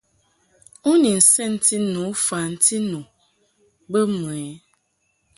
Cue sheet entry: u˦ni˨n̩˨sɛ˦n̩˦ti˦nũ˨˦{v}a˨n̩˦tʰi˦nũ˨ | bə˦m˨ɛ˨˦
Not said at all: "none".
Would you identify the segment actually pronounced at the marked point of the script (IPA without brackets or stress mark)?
f